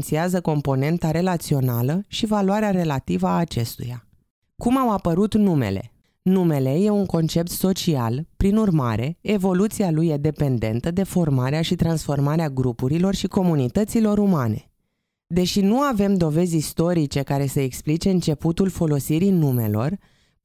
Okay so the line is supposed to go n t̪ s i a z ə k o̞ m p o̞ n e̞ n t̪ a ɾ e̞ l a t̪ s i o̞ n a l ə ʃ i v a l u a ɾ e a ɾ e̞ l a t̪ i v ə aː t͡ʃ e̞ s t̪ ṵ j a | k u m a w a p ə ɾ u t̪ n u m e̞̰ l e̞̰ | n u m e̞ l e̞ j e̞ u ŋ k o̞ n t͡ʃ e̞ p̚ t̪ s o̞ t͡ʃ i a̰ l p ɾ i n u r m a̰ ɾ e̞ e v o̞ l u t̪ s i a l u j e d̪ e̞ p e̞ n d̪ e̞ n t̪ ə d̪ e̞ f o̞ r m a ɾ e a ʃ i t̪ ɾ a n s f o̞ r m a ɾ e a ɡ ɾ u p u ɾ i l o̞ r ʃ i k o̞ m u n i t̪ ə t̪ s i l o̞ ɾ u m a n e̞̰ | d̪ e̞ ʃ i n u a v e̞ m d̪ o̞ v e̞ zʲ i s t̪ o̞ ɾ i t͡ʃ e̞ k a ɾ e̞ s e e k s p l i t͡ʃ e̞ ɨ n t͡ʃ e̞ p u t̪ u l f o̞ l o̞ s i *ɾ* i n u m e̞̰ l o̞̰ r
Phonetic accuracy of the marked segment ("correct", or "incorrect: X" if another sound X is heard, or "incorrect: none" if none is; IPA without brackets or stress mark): correct